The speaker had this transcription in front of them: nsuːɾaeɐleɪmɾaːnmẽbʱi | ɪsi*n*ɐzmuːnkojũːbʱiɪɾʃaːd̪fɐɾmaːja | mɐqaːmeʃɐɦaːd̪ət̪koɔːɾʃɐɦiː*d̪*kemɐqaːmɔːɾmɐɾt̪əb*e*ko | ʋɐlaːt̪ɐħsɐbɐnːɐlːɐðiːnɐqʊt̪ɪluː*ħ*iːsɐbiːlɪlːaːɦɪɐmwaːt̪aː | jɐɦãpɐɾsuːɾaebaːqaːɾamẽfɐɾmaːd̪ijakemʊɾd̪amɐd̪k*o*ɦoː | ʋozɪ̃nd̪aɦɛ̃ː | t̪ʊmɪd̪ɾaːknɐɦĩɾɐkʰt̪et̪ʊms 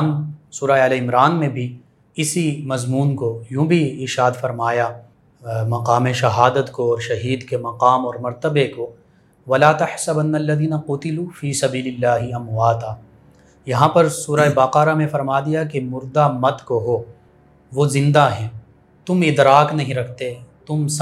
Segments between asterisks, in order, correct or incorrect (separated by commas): incorrect, correct, correct, incorrect, correct